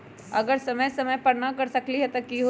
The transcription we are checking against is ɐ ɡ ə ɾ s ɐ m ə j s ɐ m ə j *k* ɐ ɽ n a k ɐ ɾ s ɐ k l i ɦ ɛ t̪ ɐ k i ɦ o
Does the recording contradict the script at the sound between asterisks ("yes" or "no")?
yes